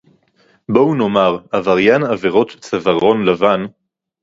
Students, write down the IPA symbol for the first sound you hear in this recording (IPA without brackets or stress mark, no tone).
b